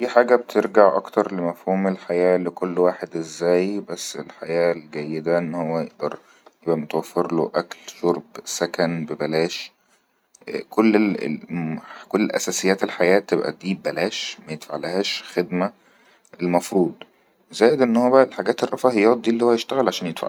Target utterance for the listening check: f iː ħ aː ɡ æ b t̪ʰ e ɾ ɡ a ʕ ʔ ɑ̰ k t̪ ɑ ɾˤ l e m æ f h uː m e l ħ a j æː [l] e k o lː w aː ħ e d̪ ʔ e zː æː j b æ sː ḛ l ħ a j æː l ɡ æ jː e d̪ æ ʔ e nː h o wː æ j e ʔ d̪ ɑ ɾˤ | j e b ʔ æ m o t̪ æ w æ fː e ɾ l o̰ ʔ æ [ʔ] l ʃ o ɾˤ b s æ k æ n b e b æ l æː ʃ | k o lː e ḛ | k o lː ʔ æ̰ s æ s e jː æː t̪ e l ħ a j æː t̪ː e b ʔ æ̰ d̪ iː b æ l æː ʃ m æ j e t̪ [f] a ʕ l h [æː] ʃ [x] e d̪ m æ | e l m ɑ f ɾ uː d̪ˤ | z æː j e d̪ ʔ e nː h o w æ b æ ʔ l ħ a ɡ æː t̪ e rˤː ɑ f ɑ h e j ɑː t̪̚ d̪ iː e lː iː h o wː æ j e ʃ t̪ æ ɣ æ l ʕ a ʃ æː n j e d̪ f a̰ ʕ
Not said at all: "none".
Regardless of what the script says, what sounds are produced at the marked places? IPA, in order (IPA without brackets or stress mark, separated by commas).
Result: l, k, f, æː, x